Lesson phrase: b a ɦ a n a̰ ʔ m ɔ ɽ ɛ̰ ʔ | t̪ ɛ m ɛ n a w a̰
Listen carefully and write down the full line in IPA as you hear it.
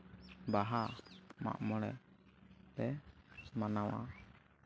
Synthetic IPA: b a ɦ a m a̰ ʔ m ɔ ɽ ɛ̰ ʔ | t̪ ɛ m a n a w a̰